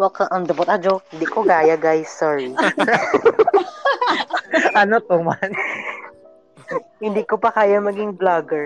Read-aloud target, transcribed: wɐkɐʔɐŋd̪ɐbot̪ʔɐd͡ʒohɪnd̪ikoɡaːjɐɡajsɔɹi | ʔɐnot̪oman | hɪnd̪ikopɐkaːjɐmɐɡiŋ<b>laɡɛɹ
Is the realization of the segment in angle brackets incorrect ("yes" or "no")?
no